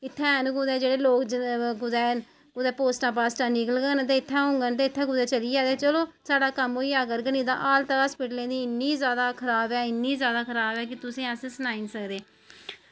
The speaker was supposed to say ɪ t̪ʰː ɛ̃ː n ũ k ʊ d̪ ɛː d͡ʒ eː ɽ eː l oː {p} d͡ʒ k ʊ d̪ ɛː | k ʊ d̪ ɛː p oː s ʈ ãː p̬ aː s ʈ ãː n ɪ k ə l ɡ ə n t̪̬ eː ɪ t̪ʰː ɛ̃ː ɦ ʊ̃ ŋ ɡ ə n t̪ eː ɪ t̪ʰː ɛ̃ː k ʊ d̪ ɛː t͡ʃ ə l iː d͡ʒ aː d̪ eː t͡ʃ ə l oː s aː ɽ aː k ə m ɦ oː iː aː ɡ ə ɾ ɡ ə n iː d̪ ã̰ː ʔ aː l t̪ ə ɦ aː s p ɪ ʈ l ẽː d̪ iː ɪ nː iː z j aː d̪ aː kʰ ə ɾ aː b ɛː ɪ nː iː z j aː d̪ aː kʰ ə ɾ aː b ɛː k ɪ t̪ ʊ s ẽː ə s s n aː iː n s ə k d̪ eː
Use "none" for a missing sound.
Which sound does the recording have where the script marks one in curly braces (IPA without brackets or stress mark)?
k